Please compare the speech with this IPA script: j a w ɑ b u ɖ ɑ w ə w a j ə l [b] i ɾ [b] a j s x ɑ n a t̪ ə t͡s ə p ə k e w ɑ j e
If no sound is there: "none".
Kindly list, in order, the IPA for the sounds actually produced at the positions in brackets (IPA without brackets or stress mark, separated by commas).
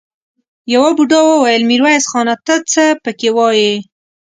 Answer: m, w